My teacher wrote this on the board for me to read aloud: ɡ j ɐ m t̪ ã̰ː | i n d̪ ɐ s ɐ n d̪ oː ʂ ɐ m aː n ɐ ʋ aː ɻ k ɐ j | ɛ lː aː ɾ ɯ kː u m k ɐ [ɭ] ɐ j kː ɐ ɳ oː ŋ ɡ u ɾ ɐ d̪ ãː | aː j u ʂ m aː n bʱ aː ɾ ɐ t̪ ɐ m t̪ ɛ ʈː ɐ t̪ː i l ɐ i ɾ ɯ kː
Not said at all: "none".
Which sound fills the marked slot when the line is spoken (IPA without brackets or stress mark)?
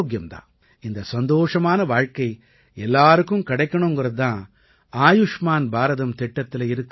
ɽ